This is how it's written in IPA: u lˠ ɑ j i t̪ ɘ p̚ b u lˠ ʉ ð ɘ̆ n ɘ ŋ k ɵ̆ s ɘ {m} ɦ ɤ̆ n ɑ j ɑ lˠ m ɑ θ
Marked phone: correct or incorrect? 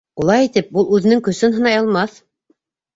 incorrect